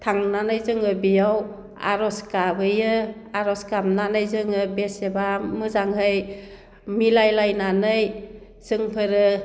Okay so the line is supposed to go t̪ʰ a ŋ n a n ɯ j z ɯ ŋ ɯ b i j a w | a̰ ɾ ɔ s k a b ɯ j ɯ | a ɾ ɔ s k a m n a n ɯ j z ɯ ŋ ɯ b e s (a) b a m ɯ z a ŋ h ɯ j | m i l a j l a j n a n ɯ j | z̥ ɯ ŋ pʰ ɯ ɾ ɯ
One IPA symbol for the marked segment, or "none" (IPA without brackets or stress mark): e